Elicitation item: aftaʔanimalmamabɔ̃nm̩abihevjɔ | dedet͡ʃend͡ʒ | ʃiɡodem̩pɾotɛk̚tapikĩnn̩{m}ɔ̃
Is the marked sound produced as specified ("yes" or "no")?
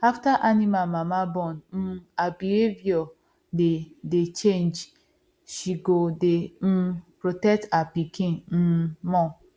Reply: yes